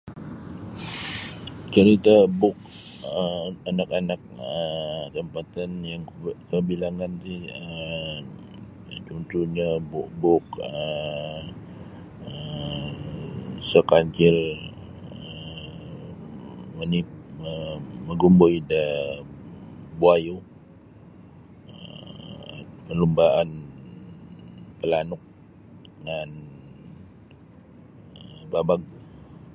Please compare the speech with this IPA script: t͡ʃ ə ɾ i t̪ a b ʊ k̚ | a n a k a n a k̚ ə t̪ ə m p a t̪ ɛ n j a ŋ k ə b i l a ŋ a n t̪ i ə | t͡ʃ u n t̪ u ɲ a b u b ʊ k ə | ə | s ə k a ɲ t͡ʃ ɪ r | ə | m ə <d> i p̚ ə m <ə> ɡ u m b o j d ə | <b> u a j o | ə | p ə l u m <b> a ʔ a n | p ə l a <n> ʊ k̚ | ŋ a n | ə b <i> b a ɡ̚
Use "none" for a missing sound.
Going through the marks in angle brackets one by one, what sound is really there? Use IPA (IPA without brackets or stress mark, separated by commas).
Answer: n, ə, b, b, n, a